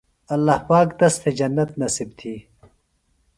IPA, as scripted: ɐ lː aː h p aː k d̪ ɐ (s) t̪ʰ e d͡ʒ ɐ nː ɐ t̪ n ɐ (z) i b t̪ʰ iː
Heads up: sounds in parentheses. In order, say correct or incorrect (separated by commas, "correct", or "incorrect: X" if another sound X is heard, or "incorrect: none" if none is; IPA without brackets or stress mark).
correct, incorrect: s